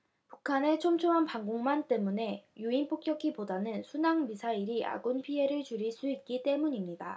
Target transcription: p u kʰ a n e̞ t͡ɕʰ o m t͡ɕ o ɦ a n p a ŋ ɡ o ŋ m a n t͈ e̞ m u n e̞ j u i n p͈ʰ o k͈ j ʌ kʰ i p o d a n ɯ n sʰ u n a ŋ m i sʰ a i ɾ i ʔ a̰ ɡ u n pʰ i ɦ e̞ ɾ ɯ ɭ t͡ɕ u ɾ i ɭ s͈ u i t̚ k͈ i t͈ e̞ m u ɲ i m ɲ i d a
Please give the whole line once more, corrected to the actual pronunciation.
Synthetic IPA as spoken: p u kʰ a n e̞ t͡ɕʰ o m t͡ɕʰ o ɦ a n p a ŋ ɡ o ŋ m a n t͈ e̞ m u n e̞ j u i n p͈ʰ o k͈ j ʌ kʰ i p o d a n ɯ n sʰ u n a ŋ m i sʰ a i ɾ i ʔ a̰ ɡ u n pʰ i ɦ e̞ ɾ ɯ ɭ t͡ɕ u ɾ i ɭ s͈ u i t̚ k͈ i t͈ e̞ m u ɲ i m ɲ i d a